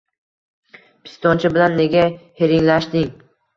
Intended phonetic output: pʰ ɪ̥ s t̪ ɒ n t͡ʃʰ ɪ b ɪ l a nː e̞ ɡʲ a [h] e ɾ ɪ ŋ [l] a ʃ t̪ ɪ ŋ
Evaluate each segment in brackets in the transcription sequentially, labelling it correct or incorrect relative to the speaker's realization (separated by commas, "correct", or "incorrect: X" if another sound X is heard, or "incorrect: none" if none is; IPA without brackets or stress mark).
correct, correct